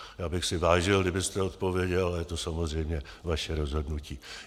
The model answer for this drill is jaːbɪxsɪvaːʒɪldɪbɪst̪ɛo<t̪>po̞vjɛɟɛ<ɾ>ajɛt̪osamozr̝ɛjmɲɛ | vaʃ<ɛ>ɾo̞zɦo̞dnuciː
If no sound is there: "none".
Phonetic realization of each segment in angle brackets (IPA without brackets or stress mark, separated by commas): t̪, l, ɛ